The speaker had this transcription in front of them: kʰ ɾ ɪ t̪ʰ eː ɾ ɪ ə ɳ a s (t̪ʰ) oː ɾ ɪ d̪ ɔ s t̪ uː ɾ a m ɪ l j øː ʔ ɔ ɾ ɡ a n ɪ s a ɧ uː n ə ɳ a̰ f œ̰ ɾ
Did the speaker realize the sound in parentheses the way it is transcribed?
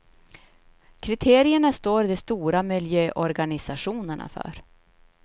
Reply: no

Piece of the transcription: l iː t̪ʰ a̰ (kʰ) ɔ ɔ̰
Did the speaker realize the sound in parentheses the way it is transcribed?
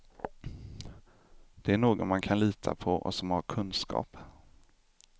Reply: no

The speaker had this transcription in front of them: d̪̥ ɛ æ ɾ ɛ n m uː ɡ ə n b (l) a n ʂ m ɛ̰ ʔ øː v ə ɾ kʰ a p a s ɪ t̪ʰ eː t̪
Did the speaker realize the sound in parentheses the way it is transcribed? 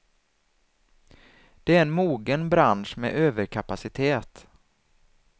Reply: no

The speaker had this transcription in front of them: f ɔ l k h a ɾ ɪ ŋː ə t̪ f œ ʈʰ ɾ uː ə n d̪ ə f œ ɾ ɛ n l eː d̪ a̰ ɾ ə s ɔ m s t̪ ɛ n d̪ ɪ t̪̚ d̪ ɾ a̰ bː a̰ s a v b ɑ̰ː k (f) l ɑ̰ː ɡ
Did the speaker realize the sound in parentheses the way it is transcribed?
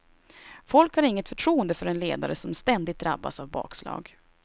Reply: no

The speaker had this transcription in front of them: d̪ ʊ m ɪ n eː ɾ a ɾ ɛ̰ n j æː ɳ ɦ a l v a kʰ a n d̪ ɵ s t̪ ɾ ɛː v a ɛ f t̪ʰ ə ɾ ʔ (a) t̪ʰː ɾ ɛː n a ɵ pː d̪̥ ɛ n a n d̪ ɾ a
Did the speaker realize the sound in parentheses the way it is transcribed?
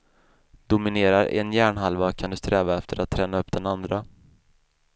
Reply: yes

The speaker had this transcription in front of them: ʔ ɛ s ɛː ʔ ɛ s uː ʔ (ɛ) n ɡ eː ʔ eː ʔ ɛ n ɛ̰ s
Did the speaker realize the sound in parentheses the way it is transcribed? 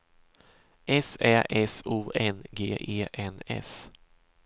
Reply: yes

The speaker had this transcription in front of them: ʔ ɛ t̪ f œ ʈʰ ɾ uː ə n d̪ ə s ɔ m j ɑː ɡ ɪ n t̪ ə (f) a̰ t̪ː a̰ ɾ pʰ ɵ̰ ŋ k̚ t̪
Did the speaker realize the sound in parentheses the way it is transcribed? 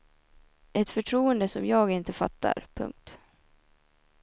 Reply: yes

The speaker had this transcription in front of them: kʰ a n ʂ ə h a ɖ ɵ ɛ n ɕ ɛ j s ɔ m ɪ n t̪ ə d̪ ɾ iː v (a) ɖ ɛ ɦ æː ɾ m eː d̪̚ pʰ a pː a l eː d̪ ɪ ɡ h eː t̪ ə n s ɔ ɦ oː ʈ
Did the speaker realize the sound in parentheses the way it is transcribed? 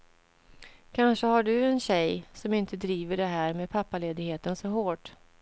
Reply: no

